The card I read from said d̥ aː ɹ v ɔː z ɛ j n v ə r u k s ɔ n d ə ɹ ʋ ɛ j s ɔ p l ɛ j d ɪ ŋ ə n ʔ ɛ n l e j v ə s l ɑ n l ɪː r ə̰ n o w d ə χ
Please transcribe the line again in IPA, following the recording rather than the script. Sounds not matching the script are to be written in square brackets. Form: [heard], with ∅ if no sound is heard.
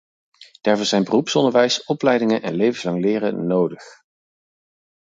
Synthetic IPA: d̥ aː ɹ v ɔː z ɛ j n [b] ə r u [p] s ɔ n d ə ɹ ʋ ɛ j s ɔ p l ɛ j d ɪ ŋ ə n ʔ ɛ n l e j v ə s l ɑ [ŋ] l ɪː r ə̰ n o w d ə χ